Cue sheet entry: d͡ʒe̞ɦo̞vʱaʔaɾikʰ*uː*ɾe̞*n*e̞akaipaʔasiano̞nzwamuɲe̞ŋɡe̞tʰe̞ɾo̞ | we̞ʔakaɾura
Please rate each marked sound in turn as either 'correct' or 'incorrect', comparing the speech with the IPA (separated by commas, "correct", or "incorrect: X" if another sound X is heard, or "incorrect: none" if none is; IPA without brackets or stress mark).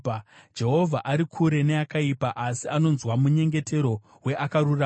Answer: incorrect: u, correct